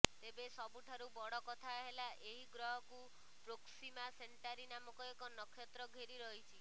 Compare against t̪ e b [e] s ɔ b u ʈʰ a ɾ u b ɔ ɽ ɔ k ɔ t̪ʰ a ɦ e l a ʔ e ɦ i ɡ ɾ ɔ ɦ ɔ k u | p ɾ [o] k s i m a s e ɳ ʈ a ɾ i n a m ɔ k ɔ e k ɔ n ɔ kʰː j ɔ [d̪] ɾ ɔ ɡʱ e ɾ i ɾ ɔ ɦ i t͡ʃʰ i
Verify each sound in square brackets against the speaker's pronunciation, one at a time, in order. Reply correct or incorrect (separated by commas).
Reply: correct, correct, incorrect